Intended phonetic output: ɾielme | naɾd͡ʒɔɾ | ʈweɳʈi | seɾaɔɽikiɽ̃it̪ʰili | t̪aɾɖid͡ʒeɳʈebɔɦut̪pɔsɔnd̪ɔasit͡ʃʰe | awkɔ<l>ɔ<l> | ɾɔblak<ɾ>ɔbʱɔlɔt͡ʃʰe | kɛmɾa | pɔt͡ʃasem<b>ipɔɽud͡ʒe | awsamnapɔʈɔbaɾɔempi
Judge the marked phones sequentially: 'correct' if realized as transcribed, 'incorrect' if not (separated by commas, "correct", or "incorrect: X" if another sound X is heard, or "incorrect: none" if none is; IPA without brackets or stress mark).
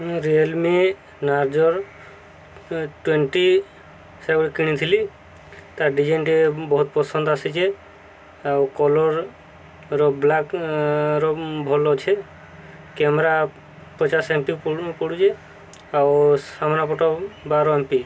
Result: correct, incorrect: ɾ, correct, incorrect: p